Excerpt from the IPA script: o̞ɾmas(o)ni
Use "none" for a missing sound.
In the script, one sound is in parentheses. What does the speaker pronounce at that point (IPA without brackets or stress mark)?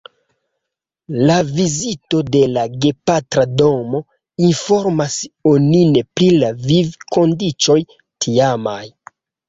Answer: o